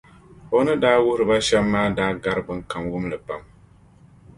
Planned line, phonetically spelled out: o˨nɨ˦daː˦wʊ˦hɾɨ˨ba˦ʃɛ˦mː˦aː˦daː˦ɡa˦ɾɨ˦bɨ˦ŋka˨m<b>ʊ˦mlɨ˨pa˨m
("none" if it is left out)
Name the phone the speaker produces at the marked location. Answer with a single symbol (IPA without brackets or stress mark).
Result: w